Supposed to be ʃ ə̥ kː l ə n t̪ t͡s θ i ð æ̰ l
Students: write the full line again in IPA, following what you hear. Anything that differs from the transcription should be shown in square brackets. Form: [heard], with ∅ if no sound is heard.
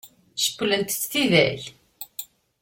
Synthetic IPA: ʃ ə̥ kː l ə n t̪ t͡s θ i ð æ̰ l